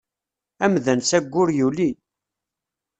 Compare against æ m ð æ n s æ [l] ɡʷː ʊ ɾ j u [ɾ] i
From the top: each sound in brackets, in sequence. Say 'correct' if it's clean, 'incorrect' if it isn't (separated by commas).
incorrect, incorrect